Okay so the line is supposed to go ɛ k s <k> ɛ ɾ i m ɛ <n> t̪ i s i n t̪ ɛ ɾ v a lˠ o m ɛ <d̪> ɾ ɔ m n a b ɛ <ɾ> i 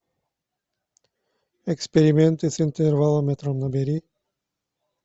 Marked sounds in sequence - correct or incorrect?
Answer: incorrect: p, correct, incorrect: t̪, correct

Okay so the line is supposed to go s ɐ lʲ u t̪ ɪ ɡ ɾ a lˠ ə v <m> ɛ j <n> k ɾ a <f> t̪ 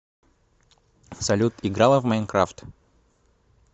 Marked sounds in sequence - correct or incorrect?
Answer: correct, correct, correct

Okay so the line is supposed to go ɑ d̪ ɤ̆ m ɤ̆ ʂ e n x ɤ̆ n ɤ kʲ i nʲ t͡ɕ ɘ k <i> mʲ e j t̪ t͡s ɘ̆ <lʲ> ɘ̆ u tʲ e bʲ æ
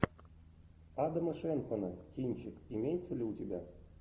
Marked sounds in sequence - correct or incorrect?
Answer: correct, correct

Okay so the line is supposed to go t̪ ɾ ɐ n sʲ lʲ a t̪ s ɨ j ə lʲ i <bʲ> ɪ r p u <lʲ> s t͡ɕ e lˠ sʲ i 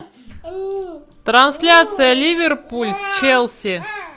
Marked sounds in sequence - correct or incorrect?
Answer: incorrect: vʲ, correct

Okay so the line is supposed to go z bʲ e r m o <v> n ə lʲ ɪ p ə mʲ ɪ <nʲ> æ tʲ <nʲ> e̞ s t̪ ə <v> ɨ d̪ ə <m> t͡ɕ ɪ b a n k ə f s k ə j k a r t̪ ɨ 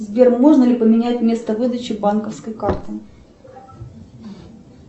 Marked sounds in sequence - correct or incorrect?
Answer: incorrect: ʐ, correct, incorrect: mʲ, correct, incorrect: none

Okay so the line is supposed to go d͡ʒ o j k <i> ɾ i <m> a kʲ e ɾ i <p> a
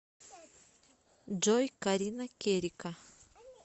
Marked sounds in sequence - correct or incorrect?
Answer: incorrect: a, incorrect: n, incorrect: k

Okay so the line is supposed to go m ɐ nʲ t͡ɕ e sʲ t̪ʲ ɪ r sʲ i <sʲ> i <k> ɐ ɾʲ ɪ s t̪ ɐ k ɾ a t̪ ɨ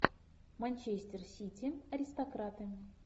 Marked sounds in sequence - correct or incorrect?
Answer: incorrect: tʲ, incorrect: none

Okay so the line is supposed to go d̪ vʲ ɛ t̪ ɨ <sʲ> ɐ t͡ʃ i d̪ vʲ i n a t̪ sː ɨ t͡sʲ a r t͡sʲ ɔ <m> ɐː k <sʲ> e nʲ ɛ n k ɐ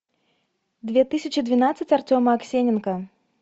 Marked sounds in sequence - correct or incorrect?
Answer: correct, correct, correct

